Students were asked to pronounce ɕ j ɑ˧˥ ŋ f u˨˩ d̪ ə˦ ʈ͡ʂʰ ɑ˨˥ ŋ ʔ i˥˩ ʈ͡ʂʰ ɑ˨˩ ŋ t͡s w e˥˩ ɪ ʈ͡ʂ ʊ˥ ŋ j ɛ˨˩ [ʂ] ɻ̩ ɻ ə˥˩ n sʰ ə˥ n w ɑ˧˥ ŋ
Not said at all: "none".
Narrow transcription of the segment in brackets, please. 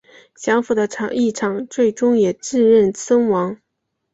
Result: ʈ͡ʂ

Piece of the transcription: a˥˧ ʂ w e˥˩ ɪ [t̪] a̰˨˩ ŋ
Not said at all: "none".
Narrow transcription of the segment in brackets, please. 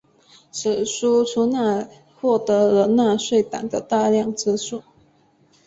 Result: t̪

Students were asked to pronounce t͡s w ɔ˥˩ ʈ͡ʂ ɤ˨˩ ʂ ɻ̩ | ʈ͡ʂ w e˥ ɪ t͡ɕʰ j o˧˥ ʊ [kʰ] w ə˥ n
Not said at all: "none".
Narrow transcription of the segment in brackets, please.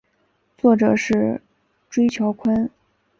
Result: kʰ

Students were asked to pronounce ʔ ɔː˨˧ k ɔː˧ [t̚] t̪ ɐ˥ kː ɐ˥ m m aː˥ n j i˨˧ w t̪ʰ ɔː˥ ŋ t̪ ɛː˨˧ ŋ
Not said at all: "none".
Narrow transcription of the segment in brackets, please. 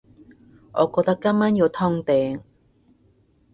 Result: k̚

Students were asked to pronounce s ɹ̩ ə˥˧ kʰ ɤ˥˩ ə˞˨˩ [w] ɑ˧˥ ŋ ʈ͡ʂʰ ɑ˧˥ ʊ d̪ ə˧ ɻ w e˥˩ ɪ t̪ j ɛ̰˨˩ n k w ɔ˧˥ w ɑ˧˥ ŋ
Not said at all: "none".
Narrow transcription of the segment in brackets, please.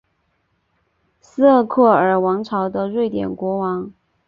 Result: w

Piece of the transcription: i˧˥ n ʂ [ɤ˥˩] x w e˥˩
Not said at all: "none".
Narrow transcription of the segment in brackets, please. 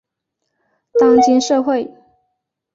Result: ɤ˥˧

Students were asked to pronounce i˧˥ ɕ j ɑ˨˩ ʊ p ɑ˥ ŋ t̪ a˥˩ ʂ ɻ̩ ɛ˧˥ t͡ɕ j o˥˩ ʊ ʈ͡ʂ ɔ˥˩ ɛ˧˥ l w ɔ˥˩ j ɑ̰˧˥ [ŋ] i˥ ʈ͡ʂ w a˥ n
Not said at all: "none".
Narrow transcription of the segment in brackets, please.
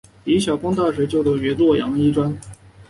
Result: ŋ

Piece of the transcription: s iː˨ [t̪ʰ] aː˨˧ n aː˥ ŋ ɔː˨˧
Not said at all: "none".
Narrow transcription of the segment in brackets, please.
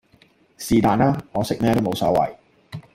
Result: t̪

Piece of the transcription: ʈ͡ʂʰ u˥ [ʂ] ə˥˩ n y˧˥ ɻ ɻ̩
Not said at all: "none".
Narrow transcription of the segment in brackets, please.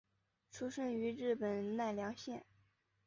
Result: ʂ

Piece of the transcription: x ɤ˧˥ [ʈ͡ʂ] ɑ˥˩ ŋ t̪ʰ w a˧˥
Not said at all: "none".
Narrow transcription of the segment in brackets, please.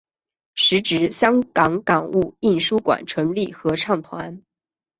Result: ʈ͡ʂʰ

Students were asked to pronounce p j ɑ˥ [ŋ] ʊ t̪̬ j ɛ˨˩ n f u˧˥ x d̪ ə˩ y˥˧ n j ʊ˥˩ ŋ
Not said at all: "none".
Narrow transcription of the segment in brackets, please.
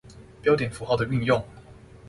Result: none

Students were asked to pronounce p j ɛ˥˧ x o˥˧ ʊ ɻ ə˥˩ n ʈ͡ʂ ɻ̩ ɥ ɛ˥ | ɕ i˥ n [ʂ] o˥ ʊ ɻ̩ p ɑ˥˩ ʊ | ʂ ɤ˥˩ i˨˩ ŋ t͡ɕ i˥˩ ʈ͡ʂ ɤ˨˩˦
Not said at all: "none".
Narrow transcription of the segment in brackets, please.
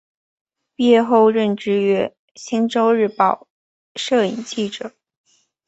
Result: ʈ͡ʂ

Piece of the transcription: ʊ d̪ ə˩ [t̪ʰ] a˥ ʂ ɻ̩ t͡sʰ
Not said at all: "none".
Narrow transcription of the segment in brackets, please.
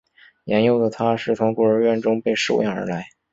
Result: t̪ʰ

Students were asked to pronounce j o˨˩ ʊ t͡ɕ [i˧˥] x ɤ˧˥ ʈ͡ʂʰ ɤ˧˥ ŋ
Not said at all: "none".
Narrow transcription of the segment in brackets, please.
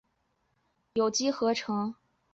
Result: i˥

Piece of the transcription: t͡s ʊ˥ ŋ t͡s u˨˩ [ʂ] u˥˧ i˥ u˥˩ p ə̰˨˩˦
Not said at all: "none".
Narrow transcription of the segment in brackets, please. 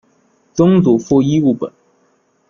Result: f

